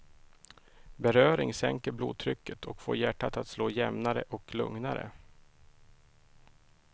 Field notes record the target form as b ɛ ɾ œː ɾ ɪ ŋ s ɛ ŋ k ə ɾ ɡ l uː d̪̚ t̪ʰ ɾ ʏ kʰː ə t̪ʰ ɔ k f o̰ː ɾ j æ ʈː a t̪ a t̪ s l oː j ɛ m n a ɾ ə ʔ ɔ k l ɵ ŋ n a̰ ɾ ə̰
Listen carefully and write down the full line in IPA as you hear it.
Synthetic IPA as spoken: b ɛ ɾ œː ɾ ɪ ŋ s ɛ ŋ k ə ɾ b l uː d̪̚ t̪ʰ ɾ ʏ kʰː ə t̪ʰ ɔ k f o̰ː ɾ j æ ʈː a t̪ a t̪ s l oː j ɛ m n a ɾ ə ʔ ɔ k l ɵ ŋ n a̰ ɾ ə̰